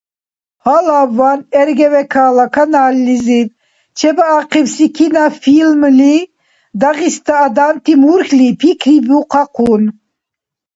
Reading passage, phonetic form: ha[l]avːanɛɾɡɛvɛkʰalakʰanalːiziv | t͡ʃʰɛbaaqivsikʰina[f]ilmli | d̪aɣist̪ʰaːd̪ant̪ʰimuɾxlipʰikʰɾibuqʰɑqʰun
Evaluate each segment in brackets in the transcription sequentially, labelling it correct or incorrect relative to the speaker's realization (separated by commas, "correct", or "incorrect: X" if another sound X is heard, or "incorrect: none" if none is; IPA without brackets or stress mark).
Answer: correct, correct